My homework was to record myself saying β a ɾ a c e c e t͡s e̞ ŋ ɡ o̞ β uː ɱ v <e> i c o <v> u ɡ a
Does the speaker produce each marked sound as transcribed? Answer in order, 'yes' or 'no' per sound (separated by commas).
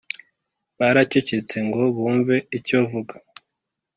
yes, yes